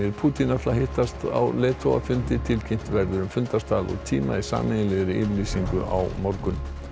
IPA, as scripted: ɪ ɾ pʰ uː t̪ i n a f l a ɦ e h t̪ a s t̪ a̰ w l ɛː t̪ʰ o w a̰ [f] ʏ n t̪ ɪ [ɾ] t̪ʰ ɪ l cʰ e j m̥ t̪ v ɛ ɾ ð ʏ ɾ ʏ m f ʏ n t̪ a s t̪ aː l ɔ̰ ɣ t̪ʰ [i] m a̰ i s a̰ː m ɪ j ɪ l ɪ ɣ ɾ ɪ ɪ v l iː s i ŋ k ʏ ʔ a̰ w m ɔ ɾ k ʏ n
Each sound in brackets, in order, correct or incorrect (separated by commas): correct, incorrect, incorrect